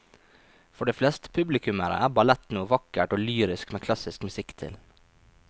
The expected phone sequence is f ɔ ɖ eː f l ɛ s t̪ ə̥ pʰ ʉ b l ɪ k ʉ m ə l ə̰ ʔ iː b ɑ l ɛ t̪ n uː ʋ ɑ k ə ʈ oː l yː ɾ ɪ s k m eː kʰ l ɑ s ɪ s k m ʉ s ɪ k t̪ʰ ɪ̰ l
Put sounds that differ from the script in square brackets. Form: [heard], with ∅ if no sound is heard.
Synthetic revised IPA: f ɔ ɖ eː f l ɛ s t̪ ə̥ pʰ ʉ b l ɪ k ʉ m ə [ɾ] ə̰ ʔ [æː] b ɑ l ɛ t̪ n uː ʋ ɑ k ə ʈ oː l yː ɾ ɪ s k m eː kʰ l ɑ s ɪ s k m ʉ s ɪ k t̪ʰ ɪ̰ l